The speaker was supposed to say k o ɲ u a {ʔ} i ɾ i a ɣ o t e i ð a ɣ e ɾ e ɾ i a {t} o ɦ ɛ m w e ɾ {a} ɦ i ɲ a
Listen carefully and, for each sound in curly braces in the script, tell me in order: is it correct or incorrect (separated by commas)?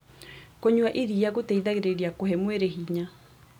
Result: correct, incorrect, incorrect